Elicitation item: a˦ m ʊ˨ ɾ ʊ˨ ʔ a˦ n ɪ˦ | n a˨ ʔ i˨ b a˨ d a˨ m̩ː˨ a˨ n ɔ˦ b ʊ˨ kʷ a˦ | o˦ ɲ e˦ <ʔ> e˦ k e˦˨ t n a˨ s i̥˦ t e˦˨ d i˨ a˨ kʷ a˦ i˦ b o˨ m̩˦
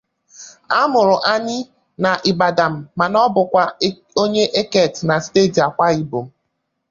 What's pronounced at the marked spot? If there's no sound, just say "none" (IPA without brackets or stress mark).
ʔ